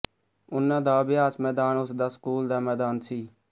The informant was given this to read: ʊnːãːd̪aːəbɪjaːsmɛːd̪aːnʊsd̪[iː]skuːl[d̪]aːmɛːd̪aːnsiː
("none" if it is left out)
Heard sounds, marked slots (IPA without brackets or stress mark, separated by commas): aː, d̪